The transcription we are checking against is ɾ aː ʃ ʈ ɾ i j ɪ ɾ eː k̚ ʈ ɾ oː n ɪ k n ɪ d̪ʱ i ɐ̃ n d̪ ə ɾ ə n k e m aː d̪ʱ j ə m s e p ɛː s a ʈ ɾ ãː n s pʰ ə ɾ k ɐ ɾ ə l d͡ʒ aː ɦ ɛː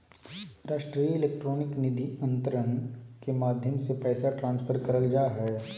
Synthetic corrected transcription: ɾ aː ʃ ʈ ɾ i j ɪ l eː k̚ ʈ ɾ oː n ɪ k n ɪ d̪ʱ i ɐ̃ n t̪ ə ɾ ə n k e m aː d̪ʱ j ə m s e p ɛː s a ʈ ɾ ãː n s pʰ ə ɾ k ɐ ɾ ə l d͡ʒ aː ɦ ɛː